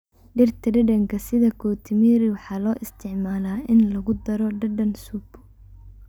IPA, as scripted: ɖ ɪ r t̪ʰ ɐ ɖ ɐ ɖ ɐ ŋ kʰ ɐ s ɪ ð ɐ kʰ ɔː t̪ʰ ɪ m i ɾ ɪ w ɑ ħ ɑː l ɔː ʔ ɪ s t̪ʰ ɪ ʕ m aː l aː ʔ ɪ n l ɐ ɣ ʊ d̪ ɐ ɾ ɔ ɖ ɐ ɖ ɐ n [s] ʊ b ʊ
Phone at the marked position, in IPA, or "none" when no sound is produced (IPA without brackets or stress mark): s